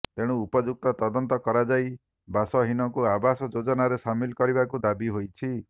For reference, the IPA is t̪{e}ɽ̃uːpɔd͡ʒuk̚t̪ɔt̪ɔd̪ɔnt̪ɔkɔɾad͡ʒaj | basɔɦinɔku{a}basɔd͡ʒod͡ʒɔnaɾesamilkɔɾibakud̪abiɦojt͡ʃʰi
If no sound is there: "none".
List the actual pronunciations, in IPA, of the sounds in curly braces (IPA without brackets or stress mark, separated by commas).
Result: e, a